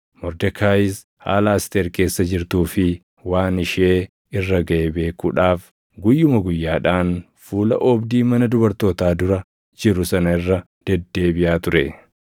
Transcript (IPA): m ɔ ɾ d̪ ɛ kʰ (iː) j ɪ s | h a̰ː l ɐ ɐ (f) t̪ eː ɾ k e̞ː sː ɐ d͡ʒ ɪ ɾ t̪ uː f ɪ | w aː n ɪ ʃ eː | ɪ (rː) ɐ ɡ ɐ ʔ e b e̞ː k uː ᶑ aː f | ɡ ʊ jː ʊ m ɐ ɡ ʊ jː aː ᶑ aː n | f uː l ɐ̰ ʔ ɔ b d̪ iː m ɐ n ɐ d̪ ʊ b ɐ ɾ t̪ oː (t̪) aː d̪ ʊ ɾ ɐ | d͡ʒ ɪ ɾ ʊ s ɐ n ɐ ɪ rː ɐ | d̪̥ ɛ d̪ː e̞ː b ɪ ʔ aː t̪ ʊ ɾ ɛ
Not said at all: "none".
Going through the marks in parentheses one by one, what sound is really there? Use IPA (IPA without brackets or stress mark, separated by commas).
aː, s, rː, t̪